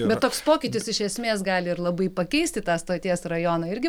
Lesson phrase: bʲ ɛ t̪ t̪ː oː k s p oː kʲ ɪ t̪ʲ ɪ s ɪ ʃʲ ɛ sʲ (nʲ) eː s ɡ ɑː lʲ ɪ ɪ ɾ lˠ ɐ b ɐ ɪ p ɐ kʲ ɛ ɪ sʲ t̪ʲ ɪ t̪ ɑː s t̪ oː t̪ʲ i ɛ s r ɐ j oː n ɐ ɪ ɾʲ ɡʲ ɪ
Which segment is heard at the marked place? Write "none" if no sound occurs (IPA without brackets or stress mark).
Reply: mʲ